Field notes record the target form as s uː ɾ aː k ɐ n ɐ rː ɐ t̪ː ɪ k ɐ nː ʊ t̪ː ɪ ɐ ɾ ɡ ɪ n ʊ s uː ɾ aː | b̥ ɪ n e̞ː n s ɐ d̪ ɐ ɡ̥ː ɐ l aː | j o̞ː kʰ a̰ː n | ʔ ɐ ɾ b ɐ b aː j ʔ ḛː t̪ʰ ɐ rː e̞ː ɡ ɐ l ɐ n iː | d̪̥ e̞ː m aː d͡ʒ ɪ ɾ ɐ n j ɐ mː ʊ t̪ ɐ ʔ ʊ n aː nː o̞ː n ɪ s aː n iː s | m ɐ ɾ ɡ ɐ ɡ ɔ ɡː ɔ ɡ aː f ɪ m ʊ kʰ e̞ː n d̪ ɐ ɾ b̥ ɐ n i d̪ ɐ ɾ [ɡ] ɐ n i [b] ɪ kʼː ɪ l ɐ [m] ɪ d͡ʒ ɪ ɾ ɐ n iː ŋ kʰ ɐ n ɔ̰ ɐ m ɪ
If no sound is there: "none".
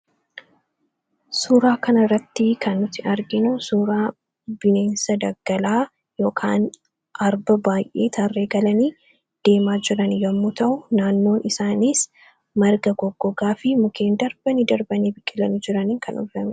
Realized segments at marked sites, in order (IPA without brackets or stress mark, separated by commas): b, b, n